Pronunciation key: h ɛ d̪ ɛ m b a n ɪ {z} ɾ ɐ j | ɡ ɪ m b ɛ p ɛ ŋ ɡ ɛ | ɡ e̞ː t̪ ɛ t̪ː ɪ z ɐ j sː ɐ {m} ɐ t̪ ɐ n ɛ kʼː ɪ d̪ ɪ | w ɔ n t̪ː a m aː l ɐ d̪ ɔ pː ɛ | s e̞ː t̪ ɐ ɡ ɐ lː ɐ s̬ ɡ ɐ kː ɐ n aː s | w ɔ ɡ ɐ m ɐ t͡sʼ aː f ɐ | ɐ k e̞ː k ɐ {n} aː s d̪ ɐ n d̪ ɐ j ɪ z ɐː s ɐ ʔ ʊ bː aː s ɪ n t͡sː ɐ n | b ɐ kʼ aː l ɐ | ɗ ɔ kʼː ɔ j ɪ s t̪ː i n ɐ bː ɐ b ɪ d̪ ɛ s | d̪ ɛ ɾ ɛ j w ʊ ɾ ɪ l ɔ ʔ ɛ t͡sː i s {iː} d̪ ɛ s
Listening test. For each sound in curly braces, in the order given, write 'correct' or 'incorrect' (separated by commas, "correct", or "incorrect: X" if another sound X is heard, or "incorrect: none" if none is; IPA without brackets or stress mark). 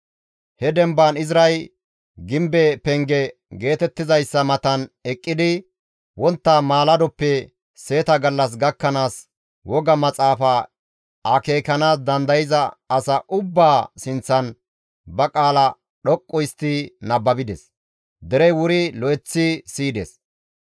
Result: correct, correct, correct, correct